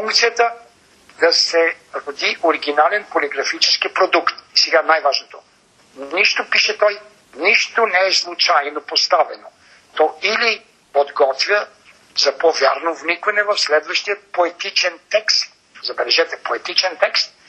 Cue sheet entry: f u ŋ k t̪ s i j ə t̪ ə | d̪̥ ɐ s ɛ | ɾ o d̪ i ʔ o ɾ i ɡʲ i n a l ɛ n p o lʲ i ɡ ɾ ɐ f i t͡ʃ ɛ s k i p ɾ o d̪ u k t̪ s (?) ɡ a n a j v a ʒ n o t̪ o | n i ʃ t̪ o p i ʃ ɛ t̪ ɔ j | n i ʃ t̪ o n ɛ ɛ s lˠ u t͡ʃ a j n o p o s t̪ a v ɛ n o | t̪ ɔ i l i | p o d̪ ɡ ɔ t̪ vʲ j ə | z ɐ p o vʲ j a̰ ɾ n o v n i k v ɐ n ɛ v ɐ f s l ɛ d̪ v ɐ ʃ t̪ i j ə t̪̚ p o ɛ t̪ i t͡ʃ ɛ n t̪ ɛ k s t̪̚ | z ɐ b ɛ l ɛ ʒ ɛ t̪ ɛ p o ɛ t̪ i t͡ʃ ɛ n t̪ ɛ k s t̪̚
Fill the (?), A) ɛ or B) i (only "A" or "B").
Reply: A